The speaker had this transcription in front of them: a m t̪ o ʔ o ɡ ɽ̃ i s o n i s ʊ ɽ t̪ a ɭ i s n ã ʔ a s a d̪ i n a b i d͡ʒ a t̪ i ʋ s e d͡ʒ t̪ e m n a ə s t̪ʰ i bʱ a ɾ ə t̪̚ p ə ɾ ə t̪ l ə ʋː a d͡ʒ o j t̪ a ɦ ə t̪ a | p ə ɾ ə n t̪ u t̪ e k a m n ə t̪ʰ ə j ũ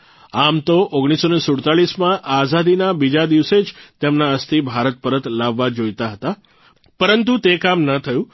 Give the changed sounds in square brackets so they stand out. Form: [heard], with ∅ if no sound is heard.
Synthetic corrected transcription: a m t̪ o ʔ o ɡ ɽ̃ i s o n [e] s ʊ ɽ t̪ a ɭ i s [m] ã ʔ a [z] a d̪ i n a b i d͡ʒ a [d̪] i ʋ s e d͡ʒ t̪ e m n a ə s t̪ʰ i bʱ a ɾ ə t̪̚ p ə ɾ ə t̪ l [a] ʋː a d͡ʒ o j t̪ a ɦ ə t̪ a | p ə ɾ ə n t̪ u t̪ e k a m n ə t̪ʰ ə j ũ